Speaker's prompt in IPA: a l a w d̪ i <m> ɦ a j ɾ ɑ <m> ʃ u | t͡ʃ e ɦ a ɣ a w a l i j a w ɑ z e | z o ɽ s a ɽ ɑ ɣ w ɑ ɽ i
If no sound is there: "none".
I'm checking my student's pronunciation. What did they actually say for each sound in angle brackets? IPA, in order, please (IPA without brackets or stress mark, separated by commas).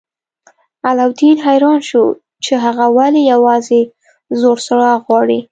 n, n